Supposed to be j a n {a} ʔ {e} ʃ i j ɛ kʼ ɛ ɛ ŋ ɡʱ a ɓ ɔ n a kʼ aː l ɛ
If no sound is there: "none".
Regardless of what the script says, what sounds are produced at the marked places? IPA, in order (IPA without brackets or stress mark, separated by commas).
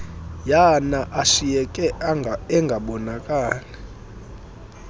a, a